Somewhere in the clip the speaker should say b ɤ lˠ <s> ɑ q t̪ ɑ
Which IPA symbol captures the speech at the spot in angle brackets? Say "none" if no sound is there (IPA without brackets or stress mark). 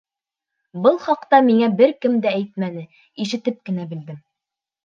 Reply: χ